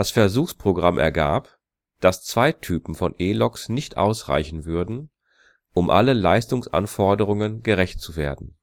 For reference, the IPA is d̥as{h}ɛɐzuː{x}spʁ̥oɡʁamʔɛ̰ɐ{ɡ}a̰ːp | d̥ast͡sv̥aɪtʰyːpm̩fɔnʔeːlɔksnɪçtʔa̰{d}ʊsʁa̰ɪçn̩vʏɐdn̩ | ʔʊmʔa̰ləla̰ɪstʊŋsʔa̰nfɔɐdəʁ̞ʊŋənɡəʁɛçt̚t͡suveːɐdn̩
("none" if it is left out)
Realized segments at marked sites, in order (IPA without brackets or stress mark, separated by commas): f, x, ɡ, none